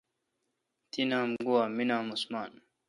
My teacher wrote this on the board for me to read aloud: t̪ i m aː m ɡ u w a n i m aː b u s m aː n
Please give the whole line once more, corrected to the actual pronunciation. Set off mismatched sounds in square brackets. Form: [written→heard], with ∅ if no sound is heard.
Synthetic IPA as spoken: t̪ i [m→n] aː m ɡ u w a [n→m] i [m→n] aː [b→m] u s m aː n